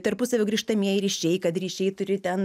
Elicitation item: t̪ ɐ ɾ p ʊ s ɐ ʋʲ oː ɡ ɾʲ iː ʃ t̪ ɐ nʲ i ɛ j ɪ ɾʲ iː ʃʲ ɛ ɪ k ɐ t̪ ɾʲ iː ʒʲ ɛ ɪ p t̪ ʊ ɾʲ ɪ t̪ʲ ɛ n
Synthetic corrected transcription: t̪ ɐ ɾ p ʊ s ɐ ʋʲ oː ɡ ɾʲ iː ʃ t̪ ɐ mʲ i ɛ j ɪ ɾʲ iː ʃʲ ɛ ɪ k ɐ t̪ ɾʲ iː ʃʲ ɛ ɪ t̪ ʊ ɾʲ ɪ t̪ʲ ɛ n